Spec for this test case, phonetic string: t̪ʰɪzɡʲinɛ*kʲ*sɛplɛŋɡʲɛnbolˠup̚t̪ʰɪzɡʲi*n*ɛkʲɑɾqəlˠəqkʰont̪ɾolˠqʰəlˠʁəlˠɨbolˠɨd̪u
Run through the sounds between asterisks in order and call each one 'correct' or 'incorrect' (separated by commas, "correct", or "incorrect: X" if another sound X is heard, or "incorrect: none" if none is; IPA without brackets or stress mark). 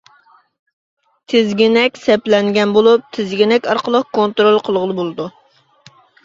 correct, correct